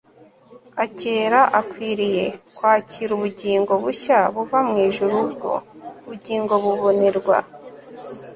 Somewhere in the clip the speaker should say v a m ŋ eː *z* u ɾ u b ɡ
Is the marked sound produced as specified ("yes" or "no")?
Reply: no